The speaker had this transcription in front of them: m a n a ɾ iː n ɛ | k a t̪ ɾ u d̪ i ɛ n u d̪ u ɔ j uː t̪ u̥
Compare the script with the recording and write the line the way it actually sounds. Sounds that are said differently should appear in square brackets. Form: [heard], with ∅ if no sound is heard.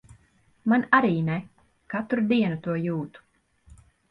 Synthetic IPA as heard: m a n a ɾ iː n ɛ | k a t̪ ɾ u d̪ i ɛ n u [t̪] u ɔ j uː t̪ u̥